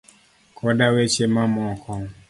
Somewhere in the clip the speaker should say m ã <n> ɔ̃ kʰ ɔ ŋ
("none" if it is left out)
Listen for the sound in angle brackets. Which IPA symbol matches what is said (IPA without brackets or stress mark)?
m